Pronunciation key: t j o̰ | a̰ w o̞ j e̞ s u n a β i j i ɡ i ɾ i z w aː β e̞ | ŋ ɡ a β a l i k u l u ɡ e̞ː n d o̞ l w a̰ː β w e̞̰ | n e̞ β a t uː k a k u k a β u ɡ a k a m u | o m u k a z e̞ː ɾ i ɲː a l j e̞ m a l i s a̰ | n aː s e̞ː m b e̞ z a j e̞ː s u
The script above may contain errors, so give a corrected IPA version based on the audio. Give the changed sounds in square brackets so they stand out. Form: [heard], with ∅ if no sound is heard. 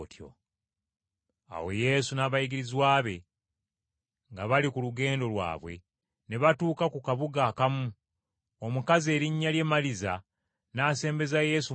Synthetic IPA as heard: t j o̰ | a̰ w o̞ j e̞ s u n a β [a] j i ɡ i ɾ i z w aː β e̞ | ŋ ɡ a β a l i k u l u ɡ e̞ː n d o̞ l w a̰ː β w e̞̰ | n e̞ β a t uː k a k u k a β u ɡ a k a m u | o m u k a z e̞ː ɾ i ɲː a l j e̞ m a l i [z] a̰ | n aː s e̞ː m b e̞ z a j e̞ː s u